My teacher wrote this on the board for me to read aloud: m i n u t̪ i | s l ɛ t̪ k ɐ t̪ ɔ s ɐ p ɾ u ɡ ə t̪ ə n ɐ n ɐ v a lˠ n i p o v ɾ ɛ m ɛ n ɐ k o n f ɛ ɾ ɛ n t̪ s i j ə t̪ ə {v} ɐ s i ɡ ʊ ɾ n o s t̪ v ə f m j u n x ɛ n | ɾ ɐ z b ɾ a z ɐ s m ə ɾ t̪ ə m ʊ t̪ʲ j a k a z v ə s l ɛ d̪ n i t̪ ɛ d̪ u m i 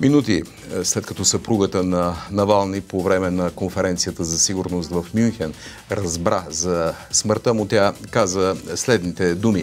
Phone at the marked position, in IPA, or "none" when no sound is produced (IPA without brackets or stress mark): z